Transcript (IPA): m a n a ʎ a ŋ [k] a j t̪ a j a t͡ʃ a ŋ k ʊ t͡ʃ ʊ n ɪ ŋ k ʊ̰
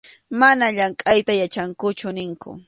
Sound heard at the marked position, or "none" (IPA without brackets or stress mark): kʼ